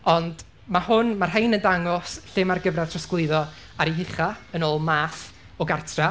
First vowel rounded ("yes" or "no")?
yes